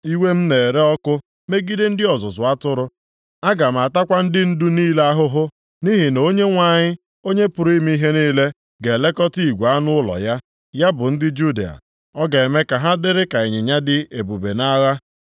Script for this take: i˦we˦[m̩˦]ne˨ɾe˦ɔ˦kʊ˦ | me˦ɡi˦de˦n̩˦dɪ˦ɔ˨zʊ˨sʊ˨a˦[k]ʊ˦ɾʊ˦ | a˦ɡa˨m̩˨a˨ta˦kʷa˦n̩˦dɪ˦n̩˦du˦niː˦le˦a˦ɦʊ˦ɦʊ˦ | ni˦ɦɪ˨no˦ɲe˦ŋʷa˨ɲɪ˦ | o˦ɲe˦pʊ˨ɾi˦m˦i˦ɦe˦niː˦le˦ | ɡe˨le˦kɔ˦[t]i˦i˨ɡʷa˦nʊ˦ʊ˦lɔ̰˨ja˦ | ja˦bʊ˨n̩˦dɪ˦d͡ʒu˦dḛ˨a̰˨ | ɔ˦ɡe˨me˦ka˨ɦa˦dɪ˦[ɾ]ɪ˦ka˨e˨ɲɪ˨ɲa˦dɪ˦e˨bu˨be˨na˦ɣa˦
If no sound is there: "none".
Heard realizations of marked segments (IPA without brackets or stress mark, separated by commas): m̩˦, t, t, ɾ